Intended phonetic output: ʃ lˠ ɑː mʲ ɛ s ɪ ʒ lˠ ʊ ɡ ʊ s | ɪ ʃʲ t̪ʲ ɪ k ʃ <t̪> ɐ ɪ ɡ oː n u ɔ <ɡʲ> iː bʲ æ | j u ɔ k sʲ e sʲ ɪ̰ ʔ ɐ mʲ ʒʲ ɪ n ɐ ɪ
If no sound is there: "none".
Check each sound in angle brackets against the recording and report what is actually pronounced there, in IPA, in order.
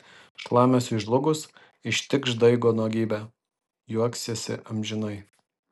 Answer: d̪, ɡʲ

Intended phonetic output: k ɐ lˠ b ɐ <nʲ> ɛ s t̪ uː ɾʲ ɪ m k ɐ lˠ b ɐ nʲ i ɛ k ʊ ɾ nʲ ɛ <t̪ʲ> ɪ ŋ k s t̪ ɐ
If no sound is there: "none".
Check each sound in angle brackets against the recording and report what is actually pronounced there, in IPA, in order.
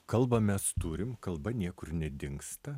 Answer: mʲ, d̪ʲ

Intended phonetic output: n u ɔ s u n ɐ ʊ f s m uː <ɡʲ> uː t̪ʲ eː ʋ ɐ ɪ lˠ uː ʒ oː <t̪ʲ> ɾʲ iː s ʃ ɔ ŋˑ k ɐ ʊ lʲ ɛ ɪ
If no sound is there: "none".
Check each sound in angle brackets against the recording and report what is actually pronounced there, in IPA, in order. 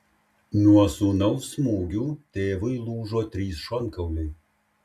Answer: ɡʲ, t̪ʲ

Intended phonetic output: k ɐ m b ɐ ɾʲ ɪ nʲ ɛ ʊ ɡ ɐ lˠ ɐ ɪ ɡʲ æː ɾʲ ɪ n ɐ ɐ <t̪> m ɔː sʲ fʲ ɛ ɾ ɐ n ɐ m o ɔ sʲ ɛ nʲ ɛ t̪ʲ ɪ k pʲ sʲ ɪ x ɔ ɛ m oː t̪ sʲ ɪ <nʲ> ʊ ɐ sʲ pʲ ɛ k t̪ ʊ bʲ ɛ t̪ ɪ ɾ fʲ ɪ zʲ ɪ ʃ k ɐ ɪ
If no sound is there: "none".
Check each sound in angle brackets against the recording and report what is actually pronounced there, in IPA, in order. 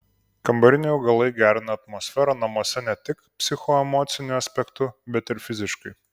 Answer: t̪, nʲ

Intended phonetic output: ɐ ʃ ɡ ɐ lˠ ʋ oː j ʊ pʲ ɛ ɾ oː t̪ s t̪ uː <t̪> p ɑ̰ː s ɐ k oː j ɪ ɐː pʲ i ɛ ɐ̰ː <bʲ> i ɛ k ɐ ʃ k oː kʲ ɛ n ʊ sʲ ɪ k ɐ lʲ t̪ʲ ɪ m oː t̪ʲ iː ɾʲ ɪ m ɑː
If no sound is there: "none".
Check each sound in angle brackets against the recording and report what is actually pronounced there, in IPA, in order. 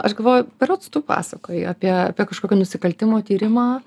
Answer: none, pʲ

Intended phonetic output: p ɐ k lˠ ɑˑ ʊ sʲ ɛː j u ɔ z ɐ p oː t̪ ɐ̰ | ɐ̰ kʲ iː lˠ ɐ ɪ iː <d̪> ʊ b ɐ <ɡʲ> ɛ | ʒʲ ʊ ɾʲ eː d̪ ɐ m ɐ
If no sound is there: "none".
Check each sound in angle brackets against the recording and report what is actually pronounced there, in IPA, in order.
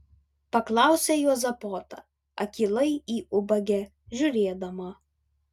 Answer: none, ɡʲ

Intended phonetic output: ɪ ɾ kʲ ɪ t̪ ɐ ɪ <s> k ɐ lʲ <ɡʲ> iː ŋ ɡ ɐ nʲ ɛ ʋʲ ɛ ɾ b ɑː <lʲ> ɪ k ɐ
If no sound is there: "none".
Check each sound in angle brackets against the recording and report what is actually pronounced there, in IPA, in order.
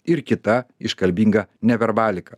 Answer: ʃ, bʲ, lʲ

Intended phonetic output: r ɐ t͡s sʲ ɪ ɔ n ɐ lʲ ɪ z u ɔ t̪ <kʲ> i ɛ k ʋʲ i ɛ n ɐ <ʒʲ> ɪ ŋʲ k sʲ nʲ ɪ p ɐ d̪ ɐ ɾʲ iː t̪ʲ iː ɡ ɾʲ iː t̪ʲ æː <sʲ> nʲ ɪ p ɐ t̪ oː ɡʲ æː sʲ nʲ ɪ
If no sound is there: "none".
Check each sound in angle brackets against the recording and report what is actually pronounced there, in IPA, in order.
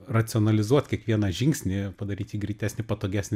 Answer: kʲ, ʒʲ, sʲ

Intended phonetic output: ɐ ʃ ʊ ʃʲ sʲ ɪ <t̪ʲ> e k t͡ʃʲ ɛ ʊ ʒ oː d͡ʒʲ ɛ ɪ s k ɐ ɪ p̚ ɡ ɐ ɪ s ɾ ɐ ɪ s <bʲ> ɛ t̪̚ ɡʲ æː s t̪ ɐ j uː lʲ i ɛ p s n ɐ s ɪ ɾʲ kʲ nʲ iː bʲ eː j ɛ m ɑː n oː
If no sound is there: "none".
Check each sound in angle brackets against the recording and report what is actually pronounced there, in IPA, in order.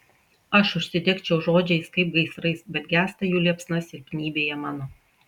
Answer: d̪ʲ, bʲ

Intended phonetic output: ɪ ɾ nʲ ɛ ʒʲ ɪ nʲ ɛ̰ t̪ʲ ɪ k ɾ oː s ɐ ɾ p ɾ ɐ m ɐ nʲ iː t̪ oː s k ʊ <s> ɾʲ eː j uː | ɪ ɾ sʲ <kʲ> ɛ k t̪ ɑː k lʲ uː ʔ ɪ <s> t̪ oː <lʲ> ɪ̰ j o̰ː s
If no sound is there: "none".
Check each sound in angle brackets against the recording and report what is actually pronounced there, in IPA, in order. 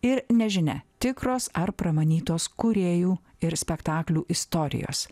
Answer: none, pʲ, s, ɾʲ

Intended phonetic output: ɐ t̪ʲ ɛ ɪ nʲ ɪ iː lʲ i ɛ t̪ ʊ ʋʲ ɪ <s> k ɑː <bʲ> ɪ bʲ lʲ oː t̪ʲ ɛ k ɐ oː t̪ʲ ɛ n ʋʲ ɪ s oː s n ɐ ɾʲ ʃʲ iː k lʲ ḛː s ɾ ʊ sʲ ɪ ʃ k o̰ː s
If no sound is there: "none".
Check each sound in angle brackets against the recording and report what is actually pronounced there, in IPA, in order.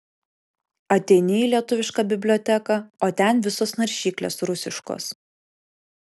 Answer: ʃ, bʲ

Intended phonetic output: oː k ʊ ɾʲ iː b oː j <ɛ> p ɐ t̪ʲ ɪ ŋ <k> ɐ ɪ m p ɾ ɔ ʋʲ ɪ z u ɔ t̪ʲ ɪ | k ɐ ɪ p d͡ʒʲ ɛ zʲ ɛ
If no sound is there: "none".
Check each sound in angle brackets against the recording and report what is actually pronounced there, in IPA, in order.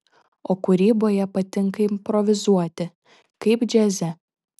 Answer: ɛ, k

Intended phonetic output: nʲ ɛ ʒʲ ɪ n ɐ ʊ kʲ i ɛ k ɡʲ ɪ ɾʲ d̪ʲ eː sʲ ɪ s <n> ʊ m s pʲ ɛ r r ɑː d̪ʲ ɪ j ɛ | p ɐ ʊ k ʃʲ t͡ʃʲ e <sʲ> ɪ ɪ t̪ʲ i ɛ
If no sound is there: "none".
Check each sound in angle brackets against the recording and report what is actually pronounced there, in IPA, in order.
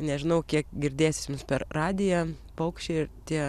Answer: m, none

